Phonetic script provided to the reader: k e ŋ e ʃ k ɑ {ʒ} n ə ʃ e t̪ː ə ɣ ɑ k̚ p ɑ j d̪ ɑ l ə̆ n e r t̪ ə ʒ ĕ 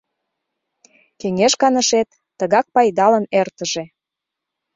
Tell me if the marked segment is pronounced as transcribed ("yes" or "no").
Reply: no